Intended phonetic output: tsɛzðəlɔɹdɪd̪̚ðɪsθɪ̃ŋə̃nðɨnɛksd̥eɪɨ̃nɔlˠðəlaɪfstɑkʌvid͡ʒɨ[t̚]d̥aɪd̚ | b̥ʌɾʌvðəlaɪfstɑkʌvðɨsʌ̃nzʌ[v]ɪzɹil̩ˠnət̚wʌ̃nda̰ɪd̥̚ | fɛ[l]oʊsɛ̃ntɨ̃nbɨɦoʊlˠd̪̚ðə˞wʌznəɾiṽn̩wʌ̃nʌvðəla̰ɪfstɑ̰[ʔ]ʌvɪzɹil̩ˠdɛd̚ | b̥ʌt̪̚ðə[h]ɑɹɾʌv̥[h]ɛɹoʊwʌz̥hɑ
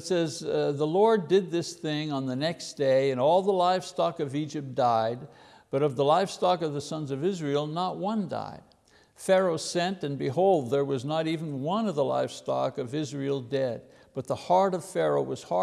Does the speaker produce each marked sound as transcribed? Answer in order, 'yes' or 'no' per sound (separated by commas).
no, yes, no, no, yes, no